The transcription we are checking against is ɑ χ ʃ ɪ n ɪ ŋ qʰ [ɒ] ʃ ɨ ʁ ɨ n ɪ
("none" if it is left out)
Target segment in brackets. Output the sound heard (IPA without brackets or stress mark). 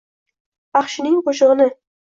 o